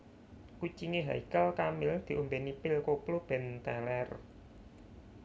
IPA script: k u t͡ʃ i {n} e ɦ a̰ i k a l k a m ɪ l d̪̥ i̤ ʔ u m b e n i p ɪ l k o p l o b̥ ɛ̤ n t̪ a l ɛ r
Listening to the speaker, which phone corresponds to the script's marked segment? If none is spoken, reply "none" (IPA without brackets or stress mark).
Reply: ŋ